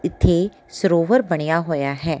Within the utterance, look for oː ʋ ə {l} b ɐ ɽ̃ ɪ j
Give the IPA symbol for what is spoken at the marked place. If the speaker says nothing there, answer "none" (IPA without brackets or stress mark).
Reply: ɾ